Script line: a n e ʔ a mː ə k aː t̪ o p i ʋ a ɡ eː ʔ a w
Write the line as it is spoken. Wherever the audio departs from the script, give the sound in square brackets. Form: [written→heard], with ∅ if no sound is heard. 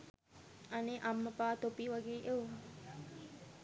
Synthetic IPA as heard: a n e ʔ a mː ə [k→p] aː t̪ o p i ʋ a ɡ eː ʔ [a→e] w